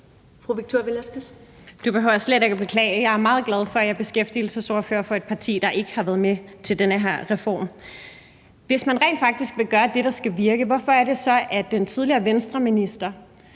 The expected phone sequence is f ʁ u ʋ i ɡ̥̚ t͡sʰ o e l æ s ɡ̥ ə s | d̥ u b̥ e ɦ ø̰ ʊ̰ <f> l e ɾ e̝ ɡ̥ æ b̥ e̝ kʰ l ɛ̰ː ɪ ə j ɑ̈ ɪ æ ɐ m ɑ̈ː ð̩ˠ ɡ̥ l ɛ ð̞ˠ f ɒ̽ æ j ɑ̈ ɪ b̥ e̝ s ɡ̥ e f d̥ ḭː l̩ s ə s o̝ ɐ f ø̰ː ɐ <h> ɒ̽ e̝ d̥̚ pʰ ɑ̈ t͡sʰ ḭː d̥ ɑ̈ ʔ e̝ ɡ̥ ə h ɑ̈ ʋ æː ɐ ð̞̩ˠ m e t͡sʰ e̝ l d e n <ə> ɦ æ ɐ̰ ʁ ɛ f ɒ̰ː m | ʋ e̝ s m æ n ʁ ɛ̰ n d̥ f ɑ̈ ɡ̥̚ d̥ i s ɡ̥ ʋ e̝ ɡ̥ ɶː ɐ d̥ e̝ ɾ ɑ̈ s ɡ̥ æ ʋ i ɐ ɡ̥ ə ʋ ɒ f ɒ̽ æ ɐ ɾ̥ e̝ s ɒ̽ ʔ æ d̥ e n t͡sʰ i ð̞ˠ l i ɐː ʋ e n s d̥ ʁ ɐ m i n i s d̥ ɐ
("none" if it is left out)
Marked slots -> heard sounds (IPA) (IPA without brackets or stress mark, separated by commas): s, f, ə